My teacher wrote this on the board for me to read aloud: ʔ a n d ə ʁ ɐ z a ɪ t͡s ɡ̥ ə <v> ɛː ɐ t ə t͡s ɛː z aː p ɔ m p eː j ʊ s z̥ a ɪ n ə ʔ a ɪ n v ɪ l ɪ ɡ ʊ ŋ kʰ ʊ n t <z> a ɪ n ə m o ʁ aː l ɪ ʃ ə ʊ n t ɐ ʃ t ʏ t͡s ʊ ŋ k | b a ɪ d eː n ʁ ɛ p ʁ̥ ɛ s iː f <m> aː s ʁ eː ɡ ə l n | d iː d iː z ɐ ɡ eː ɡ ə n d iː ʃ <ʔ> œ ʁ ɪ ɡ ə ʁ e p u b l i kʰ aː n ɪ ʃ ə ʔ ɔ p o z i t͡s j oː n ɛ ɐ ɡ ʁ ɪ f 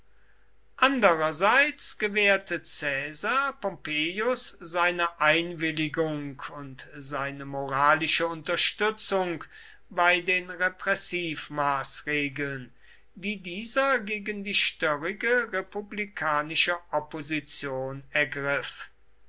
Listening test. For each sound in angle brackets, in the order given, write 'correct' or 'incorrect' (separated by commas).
correct, correct, correct, incorrect